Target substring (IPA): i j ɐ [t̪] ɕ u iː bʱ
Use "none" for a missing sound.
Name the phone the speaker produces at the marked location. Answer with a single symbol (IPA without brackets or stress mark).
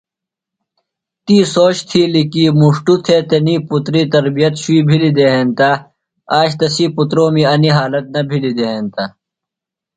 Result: t̪